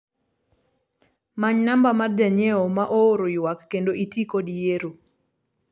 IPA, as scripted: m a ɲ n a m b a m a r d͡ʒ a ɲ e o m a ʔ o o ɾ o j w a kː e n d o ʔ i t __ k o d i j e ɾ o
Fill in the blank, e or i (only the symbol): i